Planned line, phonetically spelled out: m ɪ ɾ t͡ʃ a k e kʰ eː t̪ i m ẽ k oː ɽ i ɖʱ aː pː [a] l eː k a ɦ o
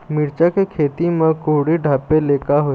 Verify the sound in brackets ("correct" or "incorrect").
incorrect